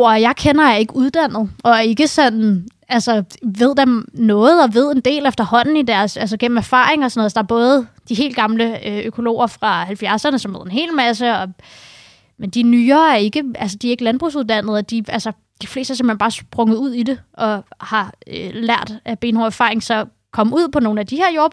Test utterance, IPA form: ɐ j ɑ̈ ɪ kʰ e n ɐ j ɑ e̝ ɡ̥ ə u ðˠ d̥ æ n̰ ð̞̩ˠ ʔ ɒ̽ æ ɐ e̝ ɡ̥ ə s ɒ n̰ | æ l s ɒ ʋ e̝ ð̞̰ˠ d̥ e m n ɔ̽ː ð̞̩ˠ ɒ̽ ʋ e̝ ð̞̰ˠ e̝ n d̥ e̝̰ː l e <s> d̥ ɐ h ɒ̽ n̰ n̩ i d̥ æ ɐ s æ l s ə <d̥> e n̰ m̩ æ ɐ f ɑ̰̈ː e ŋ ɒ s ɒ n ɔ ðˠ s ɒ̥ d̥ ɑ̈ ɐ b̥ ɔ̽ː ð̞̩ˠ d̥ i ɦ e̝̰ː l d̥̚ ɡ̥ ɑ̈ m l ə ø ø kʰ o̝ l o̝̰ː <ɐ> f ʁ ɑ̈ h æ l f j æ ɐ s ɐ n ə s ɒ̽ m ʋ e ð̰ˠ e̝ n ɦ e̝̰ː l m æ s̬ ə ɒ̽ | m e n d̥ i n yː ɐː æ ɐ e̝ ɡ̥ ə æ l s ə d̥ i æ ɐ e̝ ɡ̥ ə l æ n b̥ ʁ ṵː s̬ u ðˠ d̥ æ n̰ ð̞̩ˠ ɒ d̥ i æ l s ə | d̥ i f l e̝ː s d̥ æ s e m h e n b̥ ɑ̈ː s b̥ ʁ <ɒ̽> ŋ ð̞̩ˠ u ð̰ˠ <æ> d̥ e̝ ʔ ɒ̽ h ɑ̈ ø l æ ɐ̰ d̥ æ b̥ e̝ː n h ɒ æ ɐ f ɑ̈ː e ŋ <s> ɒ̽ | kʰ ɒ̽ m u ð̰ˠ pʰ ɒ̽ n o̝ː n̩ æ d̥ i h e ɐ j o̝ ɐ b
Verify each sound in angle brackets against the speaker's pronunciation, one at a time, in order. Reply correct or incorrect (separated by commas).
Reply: incorrect, incorrect, correct, incorrect, incorrect, correct